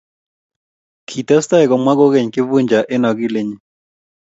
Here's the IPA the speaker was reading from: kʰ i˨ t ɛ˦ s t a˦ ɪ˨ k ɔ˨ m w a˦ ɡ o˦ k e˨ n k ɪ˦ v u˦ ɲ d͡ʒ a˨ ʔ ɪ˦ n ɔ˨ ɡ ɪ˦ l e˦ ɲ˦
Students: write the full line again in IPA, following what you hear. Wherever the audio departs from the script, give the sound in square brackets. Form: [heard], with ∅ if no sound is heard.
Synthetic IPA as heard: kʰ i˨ t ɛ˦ s t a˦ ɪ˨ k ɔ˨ m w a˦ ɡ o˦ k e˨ [ɲ] k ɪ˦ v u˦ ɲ d͡ʒ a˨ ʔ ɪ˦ n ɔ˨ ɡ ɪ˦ l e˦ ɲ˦

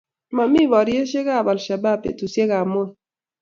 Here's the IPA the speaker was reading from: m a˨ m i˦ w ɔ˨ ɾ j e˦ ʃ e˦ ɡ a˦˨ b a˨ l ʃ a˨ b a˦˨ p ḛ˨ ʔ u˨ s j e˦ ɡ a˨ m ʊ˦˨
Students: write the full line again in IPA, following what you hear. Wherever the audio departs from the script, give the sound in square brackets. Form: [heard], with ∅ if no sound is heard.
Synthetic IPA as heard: m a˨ m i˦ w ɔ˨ ɾ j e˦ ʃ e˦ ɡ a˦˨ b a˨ l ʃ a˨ b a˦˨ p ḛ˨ [t] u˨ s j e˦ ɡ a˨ m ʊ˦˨

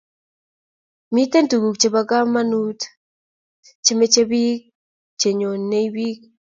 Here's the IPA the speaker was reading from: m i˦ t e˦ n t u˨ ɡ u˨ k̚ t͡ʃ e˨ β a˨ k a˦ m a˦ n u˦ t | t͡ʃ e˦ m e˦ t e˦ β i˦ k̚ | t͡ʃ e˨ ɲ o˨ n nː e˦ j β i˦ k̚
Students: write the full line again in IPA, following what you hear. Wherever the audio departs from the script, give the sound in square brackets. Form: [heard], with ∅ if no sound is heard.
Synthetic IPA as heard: m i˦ t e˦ n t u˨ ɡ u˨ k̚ t͡ʃ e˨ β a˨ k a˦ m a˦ n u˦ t | t͡ʃ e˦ m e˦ [t͡ʃ] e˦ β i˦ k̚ | t͡ʃ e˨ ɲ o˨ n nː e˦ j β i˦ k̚

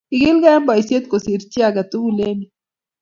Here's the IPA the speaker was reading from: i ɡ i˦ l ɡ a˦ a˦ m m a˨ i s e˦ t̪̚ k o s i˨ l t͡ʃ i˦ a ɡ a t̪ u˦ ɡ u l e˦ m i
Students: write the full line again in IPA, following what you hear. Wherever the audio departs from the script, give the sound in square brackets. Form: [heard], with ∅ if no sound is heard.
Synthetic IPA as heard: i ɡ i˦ l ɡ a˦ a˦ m [b] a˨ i s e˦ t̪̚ k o s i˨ [ɾ] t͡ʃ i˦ a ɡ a t̪ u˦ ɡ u l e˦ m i

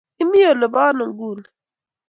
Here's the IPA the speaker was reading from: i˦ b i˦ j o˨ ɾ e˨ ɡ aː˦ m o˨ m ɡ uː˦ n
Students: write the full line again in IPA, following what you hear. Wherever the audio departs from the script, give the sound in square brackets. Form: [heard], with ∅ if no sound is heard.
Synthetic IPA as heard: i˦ [m] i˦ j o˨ [l] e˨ [b] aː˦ [n] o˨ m ɡ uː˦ n

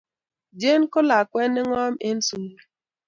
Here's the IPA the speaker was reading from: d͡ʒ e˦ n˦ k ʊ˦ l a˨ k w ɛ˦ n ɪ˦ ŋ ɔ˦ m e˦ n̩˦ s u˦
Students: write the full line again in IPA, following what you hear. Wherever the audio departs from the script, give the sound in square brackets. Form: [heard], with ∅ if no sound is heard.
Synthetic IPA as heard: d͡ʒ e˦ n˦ k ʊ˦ l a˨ k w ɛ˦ n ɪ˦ ŋ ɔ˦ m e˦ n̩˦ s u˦

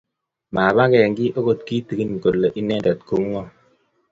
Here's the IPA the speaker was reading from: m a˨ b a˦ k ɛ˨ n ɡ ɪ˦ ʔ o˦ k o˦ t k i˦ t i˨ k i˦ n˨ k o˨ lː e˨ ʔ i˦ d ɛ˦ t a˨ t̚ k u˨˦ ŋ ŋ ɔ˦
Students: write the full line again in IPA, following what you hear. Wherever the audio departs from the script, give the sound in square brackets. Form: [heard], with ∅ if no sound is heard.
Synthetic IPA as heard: m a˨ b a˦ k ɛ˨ [ŋ] ɡ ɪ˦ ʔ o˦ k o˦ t k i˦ t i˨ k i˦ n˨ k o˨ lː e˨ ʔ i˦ [n] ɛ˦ [d] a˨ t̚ k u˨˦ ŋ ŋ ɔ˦

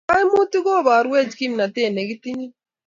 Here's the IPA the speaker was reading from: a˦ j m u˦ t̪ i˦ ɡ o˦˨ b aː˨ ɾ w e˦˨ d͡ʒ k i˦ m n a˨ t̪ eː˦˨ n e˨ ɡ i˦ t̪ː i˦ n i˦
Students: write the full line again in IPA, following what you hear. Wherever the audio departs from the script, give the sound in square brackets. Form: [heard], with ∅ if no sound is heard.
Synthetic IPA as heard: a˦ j m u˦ t̪ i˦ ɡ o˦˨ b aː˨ ɾ w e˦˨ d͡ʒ k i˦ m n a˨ t̪ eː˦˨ n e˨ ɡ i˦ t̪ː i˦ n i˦

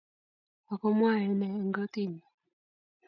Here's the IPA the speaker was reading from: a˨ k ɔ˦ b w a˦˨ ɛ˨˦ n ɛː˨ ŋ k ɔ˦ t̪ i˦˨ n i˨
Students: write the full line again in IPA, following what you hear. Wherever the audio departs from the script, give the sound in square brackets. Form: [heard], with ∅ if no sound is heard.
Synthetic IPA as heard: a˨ k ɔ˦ [m] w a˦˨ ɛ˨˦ n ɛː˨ ŋ [ɡ] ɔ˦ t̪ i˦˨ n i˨

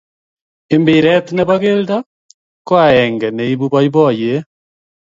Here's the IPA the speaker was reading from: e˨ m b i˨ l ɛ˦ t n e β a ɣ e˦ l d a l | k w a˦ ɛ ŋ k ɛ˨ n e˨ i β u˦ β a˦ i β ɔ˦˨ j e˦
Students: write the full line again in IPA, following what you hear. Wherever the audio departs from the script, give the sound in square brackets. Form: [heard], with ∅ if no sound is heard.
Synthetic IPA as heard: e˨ m b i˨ [ɾ] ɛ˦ t n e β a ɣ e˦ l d a [∅] | k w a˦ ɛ ŋ [ɡ] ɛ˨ n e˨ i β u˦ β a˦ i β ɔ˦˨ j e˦

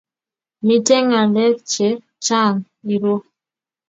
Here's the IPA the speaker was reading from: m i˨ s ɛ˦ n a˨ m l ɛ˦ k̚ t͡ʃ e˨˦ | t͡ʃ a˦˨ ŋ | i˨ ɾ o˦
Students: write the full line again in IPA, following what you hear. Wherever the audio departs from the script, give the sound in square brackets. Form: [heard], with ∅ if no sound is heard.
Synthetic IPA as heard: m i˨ [t] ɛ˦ [ŋ] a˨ [∅] l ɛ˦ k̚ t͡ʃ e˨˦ | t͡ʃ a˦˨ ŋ | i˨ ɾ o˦

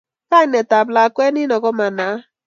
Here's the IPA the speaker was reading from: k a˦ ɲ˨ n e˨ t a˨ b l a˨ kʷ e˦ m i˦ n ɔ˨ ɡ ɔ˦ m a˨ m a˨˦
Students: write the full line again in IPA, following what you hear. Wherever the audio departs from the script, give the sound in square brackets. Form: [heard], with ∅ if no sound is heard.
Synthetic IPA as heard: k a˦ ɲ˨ n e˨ t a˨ b l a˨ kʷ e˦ [n] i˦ n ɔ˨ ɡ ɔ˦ m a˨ [n] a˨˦

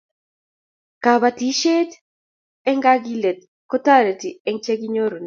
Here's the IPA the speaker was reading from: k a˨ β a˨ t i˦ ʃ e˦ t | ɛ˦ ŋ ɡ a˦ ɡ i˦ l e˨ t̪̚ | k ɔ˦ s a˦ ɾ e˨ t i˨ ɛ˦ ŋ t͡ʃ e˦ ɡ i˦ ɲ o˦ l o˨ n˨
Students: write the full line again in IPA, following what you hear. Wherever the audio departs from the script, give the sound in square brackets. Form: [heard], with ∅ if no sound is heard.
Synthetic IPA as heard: k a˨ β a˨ t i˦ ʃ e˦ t | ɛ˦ ŋ ɡ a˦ ɡ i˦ l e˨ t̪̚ | k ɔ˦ [t] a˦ ɾ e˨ t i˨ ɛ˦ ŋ t͡ʃ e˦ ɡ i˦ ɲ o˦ [ɾ] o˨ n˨

